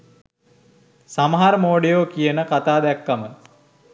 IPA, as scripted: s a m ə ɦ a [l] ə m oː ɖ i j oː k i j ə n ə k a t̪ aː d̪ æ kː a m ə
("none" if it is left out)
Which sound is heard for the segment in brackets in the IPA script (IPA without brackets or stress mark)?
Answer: ɾ